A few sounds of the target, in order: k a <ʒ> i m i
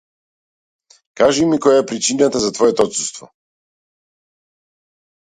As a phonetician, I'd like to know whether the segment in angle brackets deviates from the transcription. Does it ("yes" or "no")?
no